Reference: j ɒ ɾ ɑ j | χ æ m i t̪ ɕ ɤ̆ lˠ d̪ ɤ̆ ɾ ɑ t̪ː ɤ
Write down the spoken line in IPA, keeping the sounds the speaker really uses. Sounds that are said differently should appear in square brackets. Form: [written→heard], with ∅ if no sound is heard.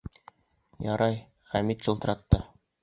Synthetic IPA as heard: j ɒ ɾ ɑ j | χ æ m i t̪ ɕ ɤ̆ lˠ [d̪→t̪] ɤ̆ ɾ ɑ t̪ː ɤ